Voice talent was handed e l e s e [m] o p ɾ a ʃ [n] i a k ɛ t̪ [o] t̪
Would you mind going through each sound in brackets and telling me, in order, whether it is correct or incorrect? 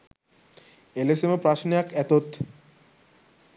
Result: correct, correct, correct

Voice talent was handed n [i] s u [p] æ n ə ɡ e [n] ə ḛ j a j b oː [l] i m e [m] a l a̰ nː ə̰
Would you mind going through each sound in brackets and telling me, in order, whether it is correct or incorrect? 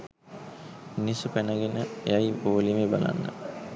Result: correct, correct, correct, correct, incorrect

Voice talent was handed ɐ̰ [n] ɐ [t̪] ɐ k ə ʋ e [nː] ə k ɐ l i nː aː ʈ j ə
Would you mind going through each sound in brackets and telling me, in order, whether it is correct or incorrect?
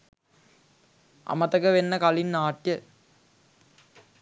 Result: incorrect, correct, correct

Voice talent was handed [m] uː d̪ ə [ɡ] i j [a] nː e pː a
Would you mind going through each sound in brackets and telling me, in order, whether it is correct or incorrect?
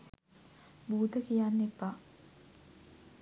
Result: incorrect, incorrect, correct

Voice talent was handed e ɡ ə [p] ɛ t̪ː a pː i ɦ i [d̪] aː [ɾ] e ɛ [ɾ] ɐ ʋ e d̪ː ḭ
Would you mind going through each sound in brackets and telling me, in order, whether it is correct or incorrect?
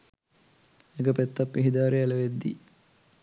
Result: correct, correct, correct, incorrect

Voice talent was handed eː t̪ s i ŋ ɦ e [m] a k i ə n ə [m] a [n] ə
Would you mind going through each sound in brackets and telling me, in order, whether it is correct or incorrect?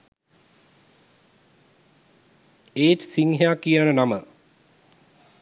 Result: incorrect, incorrect, incorrect

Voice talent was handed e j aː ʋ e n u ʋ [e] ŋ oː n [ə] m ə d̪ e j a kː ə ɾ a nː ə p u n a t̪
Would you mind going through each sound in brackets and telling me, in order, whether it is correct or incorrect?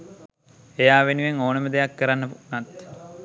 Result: correct, correct

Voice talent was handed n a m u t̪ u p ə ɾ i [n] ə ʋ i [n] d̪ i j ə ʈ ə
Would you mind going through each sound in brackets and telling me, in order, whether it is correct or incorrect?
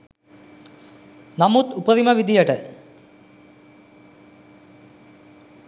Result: incorrect, incorrect

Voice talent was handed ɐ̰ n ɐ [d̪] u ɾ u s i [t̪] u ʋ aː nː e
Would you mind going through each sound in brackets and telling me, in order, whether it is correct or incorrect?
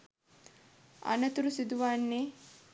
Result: incorrect, incorrect

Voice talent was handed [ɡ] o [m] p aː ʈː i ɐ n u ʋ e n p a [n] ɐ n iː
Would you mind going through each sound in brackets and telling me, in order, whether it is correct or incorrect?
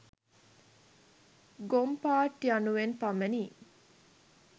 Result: correct, correct, incorrect

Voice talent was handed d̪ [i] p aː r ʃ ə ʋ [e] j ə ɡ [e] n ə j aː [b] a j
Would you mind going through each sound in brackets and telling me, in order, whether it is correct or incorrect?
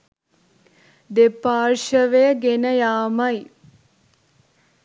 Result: incorrect, correct, correct, incorrect

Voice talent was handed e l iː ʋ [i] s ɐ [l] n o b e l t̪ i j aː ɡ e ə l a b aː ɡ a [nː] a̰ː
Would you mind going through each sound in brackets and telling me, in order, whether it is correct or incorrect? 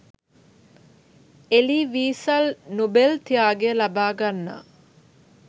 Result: incorrect, correct, correct

